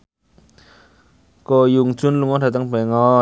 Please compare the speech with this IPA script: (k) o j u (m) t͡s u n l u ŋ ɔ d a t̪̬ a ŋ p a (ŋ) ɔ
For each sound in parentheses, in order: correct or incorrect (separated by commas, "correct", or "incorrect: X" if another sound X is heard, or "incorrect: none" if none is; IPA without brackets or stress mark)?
correct, incorrect: ŋ, correct